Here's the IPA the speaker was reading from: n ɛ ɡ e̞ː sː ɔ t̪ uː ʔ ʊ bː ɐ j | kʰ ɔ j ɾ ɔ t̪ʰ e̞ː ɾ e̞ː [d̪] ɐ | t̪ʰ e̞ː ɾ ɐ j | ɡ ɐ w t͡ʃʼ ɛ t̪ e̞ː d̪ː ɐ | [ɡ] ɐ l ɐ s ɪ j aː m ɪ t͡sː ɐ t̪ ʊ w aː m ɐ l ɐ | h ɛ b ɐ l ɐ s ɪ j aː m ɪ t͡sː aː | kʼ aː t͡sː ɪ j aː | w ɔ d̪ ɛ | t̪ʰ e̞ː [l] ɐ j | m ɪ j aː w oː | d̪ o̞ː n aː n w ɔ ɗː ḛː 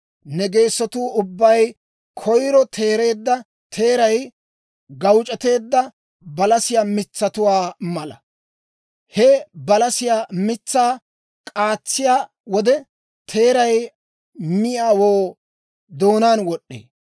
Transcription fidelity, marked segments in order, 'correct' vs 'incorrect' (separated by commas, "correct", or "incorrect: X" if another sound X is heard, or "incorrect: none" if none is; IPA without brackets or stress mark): incorrect: d̪ː, incorrect: b, incorrect: ɾ